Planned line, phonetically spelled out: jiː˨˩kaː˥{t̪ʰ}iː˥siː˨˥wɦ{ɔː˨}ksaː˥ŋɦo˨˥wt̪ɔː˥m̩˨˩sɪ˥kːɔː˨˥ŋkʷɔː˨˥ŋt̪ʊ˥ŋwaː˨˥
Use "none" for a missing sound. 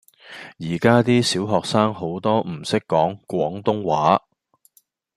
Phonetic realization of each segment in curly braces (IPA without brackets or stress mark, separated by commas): t̪, ɔː˨